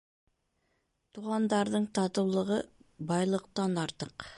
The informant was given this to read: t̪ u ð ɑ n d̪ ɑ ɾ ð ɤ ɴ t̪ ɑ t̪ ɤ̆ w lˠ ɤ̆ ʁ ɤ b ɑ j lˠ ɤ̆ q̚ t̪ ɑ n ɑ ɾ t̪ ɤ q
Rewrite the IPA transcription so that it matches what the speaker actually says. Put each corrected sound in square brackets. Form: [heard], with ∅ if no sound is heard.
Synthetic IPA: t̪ u [ʁ] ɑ n d̪ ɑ ɾ ð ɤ ɴ t̪ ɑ t̪ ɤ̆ w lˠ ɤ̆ ʁ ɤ b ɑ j lˠ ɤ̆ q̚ t̪ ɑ n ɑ ɾ t̪ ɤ q

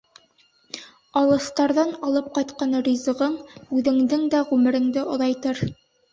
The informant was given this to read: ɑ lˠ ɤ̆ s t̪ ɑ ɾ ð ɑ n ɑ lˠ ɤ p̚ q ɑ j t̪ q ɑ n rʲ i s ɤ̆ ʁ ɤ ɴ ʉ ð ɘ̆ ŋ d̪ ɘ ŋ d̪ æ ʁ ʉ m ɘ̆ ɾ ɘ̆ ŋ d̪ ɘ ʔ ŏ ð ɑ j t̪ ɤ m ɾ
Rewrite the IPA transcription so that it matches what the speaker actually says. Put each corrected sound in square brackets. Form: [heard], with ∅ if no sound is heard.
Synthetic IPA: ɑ lˠ ɤ̆ s t̪ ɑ ɾ ð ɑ n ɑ lˠ ɤ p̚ q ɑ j t̪ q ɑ n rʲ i [z] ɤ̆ ʁ ɤ ɴ ʉ ð ɘ̆ ŋ d̪ ɘ ŋ d̪ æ ʁ ʉ m ɘ̆ ɾ ɘ̆ ŋ d̪ ɘ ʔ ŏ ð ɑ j t̪ ɤ [∅] ɾ

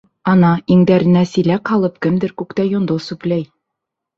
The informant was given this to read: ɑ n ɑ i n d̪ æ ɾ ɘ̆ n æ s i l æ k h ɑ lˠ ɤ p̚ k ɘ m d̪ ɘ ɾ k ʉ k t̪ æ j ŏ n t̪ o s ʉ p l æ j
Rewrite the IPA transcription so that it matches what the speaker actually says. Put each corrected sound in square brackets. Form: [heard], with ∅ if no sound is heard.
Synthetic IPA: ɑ n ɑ i [ŋ] d̪ æ ɾ ɘ̆ n æ s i l æ k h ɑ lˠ ɤ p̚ k ɘ m d̪ ɘ ɾ k ʉ k t̪ æ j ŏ n [d̪] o s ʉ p l æ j

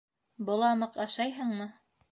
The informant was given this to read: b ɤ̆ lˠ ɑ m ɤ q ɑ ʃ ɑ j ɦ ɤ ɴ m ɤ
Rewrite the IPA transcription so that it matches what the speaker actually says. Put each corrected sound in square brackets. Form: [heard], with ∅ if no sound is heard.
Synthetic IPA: b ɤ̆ lˠ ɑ m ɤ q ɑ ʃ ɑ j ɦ ɤ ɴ m ɤ

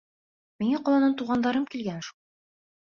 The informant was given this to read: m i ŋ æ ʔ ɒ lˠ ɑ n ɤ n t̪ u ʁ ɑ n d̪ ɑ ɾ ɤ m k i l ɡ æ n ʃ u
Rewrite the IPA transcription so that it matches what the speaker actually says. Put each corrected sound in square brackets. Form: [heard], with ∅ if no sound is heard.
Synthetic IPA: m i ŋ æ [q] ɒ lˠ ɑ n ɤ n t̪ u ʁ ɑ n d̪ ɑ ɾ ɤ m k i l ɡ æ n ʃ u

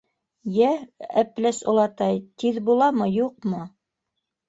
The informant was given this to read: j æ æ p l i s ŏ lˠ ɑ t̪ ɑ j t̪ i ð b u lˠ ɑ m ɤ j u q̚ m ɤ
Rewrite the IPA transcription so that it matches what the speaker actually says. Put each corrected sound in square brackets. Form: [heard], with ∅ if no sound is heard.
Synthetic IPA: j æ æ p l [æ] s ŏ lˠ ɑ t̪ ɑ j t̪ i ð b u lˠ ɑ m ɤ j u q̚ m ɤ

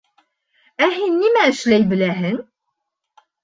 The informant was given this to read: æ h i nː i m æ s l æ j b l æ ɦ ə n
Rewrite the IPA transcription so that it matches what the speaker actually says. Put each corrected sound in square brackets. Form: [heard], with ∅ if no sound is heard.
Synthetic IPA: æ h i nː i m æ [ʃ] l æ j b l æ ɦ ə n

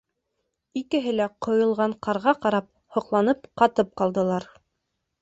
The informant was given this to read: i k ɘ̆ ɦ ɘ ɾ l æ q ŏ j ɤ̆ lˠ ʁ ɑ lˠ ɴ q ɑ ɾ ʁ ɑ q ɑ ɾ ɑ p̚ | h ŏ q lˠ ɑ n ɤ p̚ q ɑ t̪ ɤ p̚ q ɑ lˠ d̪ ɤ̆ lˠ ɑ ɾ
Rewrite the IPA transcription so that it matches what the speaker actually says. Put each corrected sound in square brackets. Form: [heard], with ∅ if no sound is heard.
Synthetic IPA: i k ɘ̆ ɦ ɘ [∅] l æ q ŏ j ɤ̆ lˠ ʁ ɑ [∅] ɴ q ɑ ɾ ʁ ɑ q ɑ ɾ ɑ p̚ | h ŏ q lˠ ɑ n ɤ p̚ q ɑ t̪ ɤ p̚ q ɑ lˠ d̪ ɤ̆ lˠ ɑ ɾ

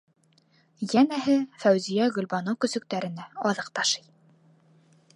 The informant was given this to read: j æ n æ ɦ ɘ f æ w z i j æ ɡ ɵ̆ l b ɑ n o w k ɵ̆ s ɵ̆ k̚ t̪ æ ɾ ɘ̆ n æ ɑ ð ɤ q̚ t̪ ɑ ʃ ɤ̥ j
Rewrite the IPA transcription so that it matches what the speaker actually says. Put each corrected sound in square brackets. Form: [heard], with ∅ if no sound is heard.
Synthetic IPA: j æ n æ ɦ ɘ f æ w z i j æ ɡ ɵ̆ l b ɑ n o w k ɵ̆ s ɵ̆ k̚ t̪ æ ɾ ɘ̆ n æ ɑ ð ɤ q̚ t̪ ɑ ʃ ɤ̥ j

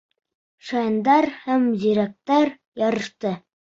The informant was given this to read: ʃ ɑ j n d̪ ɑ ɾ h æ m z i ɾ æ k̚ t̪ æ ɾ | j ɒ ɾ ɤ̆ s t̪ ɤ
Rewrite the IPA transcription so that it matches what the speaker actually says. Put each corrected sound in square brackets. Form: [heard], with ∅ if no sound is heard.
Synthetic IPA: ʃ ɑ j n d̪ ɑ ɾ h æ m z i ɾ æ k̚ t̪ æ ɾ | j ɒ ɾ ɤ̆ [ʃ] t̪ ɤ

